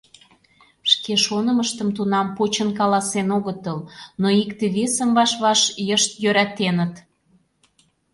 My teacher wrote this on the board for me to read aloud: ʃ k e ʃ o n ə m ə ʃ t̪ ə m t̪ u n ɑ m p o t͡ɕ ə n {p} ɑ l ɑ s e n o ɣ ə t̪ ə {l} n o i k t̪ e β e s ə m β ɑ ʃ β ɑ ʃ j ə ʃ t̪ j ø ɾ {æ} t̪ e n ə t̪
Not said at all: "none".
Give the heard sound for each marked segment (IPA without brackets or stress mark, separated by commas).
k, l, æ